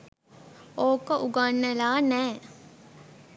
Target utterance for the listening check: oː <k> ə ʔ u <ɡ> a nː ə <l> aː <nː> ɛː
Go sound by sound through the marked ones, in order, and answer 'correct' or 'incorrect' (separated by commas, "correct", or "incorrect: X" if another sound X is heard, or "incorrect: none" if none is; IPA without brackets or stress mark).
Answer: correct, correct, correct, incorrect: n